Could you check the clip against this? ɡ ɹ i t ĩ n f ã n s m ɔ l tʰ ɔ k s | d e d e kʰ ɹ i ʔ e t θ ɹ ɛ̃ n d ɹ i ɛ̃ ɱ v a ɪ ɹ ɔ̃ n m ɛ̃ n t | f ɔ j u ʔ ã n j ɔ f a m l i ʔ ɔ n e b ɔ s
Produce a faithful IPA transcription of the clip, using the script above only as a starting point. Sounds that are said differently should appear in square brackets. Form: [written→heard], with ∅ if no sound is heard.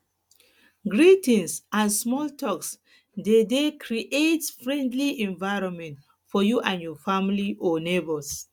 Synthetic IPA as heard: ɡ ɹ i t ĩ n [f→s] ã n s m ɔ l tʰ ɔ k s | d e d e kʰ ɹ i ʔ e t [θ→f] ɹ ɛ̃ n d [ɹ→l] i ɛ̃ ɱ v a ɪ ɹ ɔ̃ n m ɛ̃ n t | f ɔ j u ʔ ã n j ɔ f a m l i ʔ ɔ n e b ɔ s